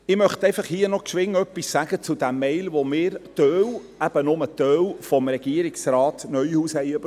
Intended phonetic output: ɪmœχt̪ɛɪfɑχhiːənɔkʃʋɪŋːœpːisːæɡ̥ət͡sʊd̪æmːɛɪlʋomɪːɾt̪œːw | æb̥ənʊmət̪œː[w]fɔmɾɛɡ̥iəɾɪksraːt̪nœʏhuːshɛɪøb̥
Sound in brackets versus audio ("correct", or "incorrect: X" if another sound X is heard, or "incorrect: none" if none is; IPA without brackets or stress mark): correct